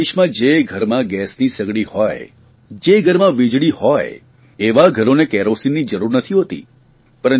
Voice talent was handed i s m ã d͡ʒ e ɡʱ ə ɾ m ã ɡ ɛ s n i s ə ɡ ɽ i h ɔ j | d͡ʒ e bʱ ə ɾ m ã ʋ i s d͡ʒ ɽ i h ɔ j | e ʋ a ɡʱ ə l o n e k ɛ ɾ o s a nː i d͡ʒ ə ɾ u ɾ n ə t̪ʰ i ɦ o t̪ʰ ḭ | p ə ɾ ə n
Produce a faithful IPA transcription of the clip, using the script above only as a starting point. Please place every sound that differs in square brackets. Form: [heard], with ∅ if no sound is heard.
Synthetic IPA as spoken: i [ʃ] m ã d͡ʒ e ɡʱ ə ɾ m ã ɡ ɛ s n i s ə ɡ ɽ i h ɔ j | d͡ʒ e [ɡʱ] ə ɾ m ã ʋ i [∅] d͡ʒ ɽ i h ɔ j | e ʋ a ɡʱ ə [ɾ] o n e k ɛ ɾ o s [i] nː i d͡ʒ ə ɾ u ɾ n ə t̪ʰ i ɦ o [t̪] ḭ | p ə ɾ ə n